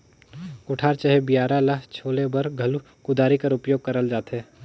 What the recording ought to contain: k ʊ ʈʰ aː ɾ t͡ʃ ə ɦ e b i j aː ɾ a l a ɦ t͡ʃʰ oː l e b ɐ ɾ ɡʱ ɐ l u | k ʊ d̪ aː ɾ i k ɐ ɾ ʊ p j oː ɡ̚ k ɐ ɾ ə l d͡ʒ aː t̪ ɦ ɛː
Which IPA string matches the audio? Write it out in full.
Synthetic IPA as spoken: k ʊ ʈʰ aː ɾ t͡ʃ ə ɦ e b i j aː ɾ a l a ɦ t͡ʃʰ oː l e b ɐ ɾ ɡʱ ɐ l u | k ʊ d̪ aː ɾ i k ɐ ɾ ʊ p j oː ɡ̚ k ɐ ɾ ə l d͡ʒ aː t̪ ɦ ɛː